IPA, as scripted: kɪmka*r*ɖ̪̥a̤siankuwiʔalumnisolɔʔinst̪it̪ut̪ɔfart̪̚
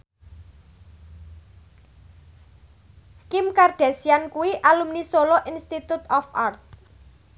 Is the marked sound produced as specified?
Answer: yes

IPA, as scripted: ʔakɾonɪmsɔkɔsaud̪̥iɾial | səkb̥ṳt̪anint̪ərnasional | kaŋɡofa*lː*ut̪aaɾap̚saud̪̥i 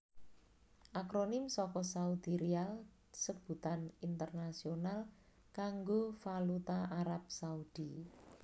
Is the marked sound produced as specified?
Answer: no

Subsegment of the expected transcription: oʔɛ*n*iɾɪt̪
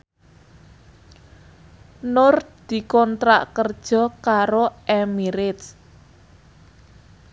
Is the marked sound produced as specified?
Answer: no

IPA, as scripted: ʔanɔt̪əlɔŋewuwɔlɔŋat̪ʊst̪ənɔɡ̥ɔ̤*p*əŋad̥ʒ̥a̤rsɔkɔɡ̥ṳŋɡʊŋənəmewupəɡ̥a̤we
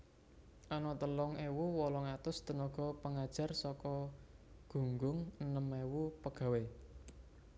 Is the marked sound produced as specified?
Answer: yes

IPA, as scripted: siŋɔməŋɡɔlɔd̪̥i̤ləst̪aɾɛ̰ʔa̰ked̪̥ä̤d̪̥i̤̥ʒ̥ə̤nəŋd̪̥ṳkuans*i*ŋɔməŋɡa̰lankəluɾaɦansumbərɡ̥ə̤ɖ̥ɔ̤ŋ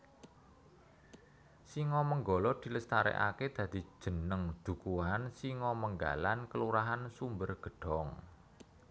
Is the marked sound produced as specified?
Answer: yes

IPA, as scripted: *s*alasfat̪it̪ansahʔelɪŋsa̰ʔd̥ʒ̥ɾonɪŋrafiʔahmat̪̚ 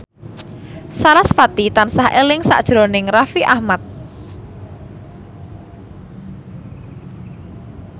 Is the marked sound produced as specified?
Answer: yes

